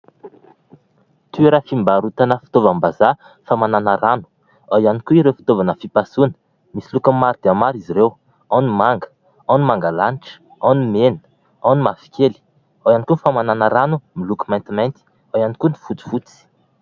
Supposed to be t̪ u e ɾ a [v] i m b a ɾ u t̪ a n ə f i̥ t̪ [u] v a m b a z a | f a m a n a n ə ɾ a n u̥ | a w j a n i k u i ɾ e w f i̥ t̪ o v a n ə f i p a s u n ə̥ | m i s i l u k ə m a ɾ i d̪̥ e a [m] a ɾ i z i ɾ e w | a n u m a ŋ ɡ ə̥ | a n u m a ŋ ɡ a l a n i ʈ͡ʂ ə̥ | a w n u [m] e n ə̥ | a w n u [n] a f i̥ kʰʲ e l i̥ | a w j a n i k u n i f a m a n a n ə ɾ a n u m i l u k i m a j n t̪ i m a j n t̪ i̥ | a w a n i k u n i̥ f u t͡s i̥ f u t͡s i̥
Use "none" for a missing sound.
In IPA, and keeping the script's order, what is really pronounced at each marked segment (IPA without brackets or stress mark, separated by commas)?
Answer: f, o, m, m, m